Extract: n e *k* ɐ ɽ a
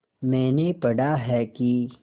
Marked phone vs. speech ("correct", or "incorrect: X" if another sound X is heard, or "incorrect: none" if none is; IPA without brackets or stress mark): incorrect: p